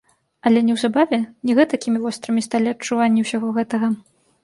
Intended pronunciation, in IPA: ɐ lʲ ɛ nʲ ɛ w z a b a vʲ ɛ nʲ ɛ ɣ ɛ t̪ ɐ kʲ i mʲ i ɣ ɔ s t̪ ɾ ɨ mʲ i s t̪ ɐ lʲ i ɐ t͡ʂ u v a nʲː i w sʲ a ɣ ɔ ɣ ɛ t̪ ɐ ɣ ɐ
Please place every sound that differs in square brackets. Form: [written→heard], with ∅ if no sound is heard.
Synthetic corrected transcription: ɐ lʲ ɛ nʲ ɛ w z a b a vʲ ɛ nʲ ɛ ɣ ɛ t̪ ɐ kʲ i mʲ i [ɣ→v] ɔ s t̪ ɾ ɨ mʲ i s t̪ [ɐ→a] lʲ i ɐ t͡ʂ u v a nʲː i w sʲ a ɣ ɔ ɣ ɛ t̪ ɐ ɣ ɐ